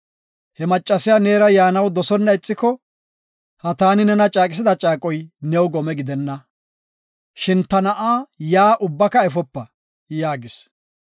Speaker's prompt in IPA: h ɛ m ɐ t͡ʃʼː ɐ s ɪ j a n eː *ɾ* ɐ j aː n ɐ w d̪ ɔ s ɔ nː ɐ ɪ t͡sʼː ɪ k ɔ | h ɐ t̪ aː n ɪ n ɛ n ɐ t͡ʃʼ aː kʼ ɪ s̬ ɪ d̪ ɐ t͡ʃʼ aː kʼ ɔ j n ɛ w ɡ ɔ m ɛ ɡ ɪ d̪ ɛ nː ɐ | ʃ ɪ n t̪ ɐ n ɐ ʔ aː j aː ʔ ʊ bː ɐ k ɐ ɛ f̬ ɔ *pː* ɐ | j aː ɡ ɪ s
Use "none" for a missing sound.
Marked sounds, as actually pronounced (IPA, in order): ɾ, pː

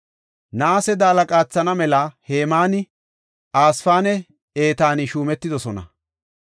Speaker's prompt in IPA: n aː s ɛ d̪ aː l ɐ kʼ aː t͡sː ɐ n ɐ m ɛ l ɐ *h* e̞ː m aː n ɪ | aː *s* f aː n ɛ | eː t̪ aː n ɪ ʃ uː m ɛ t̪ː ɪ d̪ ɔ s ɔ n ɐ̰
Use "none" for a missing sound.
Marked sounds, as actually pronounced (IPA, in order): h, s

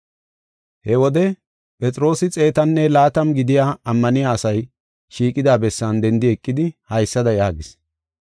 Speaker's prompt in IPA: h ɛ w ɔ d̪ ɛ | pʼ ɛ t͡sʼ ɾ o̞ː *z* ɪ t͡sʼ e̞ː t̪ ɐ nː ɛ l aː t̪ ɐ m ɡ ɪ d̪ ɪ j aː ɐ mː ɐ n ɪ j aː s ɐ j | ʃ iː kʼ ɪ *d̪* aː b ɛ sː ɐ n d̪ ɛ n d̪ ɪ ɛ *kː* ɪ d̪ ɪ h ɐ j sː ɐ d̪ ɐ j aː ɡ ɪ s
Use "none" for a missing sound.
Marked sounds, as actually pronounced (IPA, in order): s, d̪, kʼː

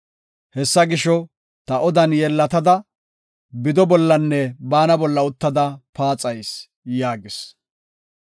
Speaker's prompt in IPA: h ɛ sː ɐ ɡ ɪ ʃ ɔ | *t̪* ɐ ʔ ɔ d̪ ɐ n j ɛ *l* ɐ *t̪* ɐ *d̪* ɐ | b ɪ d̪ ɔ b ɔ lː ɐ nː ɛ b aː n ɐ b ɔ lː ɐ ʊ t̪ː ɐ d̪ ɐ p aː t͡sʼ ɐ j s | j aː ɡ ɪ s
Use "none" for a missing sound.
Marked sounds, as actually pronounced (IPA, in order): t̪, lː, t̪, d̪

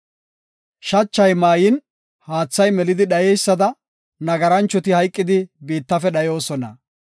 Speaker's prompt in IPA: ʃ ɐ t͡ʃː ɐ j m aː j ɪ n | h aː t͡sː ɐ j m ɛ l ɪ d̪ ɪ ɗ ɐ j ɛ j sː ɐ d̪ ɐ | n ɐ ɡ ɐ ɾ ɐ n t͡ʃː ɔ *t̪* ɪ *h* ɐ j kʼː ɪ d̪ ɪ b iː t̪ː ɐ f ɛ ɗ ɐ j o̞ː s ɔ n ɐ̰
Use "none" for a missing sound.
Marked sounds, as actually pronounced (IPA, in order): t̪, h

